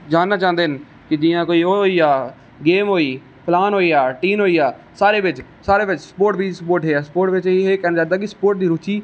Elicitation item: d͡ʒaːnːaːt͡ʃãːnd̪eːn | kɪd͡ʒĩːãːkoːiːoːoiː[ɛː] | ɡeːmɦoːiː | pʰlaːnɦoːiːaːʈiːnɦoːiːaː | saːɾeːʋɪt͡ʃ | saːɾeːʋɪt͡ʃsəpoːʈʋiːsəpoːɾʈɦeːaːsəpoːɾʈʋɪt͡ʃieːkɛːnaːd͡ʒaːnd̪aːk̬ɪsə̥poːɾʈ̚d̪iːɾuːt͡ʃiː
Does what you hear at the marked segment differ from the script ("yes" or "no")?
yes